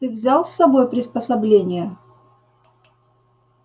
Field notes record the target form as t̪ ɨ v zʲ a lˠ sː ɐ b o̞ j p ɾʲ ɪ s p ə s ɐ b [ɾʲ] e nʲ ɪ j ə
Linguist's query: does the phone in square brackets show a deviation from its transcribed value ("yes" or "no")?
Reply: yes